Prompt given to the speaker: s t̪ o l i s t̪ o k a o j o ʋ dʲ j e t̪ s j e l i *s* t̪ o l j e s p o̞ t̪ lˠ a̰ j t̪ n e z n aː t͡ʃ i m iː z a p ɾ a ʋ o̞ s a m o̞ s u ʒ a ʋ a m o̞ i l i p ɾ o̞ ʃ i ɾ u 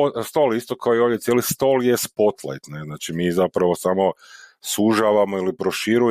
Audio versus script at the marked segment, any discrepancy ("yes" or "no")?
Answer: no